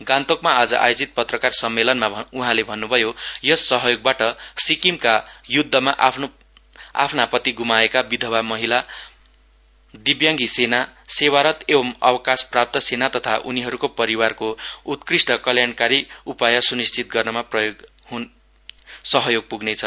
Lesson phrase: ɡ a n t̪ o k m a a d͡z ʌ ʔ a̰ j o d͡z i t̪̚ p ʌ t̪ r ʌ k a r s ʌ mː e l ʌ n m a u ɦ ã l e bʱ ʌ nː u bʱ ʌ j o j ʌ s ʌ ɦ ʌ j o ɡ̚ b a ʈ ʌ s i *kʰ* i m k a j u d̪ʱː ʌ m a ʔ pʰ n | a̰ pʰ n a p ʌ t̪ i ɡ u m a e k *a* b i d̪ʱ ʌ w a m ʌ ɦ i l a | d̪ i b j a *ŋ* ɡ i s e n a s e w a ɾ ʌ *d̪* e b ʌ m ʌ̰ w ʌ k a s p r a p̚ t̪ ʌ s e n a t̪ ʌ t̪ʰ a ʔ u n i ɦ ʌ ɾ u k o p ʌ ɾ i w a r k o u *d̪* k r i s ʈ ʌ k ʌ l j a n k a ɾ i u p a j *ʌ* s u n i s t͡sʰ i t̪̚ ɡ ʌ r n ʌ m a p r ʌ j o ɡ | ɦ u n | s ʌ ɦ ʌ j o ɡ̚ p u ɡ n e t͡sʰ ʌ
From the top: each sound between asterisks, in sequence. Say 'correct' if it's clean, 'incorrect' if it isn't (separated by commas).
incorrect, correct, correct, incorrect, incorrect, correct